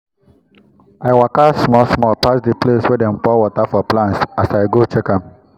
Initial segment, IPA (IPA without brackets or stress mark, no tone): a